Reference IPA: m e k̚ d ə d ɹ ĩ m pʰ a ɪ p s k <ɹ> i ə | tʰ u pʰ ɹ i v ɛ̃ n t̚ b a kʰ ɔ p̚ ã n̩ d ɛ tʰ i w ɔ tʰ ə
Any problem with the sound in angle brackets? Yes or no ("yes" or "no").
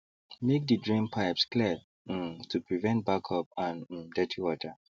yes